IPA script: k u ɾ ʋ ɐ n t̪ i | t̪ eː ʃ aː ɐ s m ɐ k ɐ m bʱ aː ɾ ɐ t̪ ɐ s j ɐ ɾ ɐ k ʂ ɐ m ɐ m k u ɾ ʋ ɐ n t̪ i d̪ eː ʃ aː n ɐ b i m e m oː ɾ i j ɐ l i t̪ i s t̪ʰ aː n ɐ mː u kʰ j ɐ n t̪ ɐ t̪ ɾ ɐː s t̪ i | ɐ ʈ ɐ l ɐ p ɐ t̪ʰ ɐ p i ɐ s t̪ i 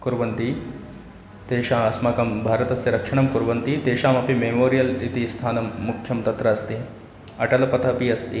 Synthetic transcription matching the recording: k u ɾ ʋ ɐ n t̪ i | t̪ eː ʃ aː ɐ s m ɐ k ɐ m bʱ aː ɾ ɐ t̪ ɐ s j ɐ ɾ ɐ k ʂ ɐ ɳ ɐ m k u ɾ ʋ ɐ n t̪ i t̪ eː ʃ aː m ɐ p i m e m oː ɾ i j ɐ l i t̪ i s t̪ʰ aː n ɐ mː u kʰ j ɐ m t̪ ɐ t̪ ɾ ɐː s t̪ i | ɐ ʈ ɐ l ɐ p ɐ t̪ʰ ɐ p i ɐ s t̪ i